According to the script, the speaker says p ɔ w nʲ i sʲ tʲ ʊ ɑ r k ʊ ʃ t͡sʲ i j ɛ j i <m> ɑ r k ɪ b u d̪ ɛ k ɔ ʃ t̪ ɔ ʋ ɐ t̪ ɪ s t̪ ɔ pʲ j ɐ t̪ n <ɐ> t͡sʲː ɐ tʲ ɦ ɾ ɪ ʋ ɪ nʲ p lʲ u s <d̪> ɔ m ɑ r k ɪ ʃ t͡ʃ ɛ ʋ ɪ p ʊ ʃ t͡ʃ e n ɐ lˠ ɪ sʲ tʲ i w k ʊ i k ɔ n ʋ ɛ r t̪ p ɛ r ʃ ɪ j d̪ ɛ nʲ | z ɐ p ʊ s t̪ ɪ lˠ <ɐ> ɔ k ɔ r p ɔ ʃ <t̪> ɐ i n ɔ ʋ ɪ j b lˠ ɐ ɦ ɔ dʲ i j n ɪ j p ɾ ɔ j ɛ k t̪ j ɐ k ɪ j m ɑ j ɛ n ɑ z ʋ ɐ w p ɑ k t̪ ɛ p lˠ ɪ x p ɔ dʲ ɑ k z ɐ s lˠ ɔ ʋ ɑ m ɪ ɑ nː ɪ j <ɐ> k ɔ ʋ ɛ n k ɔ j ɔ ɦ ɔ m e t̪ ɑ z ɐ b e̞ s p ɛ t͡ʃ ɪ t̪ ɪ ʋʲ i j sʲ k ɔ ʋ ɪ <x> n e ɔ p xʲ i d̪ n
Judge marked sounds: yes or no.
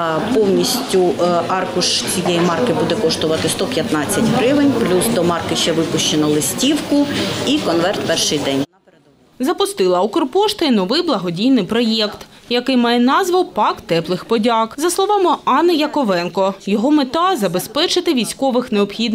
yes, no, yes, yes, yes, yes, yes

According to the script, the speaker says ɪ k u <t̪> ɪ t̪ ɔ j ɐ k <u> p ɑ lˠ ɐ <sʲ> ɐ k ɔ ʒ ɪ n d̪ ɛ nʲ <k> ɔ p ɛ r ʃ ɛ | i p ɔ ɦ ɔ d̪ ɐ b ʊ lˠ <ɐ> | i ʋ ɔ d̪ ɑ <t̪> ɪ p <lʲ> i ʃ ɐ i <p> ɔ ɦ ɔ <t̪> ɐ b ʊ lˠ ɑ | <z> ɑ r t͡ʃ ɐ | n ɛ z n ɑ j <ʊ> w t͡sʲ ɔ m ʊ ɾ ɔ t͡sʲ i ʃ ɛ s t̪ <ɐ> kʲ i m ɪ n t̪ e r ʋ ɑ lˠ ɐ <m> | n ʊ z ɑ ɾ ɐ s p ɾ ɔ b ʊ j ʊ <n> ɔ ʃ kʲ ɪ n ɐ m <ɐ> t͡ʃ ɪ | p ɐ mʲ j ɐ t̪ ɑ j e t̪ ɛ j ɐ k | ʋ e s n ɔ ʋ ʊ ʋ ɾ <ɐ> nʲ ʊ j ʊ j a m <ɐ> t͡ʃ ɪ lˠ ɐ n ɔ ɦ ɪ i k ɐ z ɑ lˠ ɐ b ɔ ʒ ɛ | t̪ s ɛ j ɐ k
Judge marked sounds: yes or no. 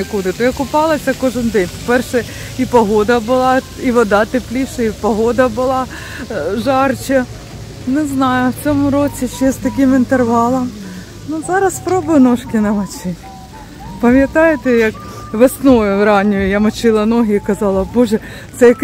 no, no, yes, no, no, yes, yes, yes, no, no, yes, yes, yes, yes, yes, no, yes

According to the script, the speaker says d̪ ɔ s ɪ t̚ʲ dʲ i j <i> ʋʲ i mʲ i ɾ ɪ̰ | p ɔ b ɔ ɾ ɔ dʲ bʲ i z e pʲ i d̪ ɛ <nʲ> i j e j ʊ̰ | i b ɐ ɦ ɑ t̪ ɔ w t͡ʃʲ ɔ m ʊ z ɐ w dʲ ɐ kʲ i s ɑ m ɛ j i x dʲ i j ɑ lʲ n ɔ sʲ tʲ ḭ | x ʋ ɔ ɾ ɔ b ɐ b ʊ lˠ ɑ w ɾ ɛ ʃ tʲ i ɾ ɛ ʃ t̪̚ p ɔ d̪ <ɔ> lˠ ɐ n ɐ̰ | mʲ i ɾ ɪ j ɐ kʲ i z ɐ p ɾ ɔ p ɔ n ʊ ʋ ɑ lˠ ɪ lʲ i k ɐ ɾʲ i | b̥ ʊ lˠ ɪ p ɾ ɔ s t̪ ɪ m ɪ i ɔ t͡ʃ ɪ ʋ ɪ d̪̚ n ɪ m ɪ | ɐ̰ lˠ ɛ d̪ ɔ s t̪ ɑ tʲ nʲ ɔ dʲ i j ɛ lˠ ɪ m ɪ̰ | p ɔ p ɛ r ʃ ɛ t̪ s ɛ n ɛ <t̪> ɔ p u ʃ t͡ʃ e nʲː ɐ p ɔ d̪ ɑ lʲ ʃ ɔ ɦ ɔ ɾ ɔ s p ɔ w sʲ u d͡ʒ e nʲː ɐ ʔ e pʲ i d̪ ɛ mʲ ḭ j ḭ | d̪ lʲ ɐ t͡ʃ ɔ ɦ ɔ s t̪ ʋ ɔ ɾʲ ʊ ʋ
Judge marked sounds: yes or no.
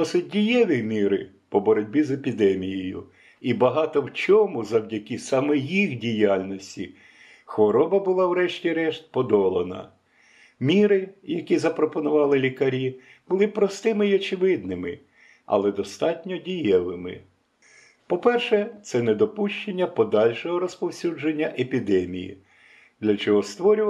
no, no, yes, no

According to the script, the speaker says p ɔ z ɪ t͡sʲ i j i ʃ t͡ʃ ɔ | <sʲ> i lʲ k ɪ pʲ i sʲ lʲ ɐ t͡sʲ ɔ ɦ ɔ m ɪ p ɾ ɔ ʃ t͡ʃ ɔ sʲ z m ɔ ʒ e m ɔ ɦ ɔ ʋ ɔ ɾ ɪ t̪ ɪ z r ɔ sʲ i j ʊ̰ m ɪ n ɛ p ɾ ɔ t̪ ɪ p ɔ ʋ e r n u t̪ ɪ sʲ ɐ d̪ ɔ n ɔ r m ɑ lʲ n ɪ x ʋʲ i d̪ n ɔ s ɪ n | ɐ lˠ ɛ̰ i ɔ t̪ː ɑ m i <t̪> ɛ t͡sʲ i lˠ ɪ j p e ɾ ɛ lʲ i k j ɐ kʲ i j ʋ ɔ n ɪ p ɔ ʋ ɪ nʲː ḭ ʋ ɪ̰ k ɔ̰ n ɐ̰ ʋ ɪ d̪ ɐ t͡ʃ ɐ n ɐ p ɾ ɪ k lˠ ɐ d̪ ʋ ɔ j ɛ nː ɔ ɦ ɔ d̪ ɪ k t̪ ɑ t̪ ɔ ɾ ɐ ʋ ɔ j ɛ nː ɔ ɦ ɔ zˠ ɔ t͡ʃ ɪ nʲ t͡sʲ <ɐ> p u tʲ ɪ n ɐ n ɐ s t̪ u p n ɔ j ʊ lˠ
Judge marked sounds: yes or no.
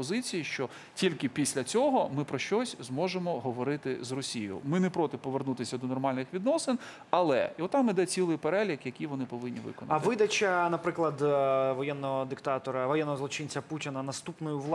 no, no, yes

